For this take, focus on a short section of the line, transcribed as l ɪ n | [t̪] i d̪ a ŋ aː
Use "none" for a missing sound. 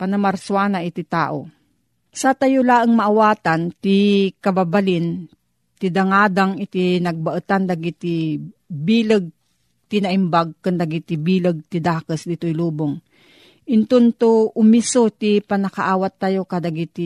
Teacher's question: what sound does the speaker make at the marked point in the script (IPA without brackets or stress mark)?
t̪